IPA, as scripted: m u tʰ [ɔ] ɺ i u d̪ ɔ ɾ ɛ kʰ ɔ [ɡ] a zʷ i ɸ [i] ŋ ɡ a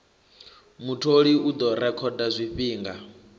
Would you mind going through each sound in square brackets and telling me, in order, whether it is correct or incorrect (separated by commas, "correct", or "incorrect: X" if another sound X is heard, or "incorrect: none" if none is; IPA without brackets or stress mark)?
incorrect: o, incorrect: d, incorrect: iː